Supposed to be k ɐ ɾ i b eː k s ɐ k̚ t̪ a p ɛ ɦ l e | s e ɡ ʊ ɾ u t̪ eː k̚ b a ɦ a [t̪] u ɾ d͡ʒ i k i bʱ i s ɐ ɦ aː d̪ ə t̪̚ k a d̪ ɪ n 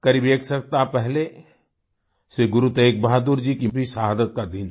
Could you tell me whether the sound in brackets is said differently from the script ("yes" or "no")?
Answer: yes